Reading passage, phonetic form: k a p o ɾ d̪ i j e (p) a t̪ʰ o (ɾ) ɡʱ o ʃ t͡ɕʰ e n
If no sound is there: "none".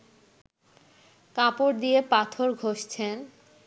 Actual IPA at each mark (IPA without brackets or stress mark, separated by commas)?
p, ɾ